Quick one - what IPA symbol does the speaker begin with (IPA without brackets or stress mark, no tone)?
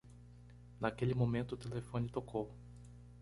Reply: n